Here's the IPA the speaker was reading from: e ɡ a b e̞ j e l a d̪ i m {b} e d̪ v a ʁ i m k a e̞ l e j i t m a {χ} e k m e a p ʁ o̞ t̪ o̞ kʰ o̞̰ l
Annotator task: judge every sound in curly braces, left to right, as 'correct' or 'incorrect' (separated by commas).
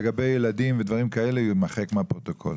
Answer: incorrect, correct